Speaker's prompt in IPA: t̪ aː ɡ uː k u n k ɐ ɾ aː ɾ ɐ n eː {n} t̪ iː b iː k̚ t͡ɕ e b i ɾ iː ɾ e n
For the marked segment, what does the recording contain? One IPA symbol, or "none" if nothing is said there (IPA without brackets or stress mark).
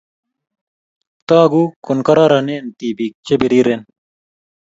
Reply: n